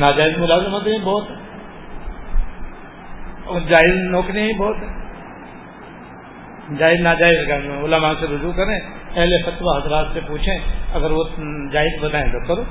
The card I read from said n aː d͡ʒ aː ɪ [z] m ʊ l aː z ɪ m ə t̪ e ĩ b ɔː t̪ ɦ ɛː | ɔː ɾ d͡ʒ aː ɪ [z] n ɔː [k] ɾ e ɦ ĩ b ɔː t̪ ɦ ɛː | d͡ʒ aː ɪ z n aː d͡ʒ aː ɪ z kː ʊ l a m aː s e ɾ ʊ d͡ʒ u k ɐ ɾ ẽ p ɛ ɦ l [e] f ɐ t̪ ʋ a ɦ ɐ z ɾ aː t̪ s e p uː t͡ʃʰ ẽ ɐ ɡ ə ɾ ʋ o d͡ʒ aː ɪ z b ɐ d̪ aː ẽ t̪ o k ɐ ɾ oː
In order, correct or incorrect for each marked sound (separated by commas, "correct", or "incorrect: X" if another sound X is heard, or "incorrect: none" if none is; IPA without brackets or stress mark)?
correct, correct, correct, correct